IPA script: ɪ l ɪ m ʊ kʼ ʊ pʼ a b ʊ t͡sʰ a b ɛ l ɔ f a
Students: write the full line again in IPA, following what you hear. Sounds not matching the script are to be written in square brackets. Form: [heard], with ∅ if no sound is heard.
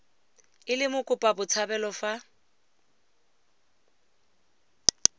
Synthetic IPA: ɪ l ɪ m ʊ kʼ ʊ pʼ a b ʊ t͡sʰ a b ɛ l ɔ f a